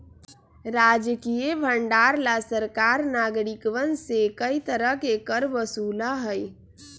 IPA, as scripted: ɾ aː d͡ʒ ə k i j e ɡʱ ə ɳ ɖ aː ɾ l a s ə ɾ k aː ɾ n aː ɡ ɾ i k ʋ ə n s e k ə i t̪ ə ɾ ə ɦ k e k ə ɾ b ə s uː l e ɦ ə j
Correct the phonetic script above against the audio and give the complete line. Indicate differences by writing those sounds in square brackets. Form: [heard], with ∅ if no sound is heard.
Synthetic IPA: ɾ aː d͡ʒ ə k i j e [bʱ] ə ɳ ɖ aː ɾ l a s ə ɾ k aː ɾ n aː ɡ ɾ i k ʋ ə n s e k ə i t̪ ə ɾ ə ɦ k e k ə ɾ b ə s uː l [a] ɦ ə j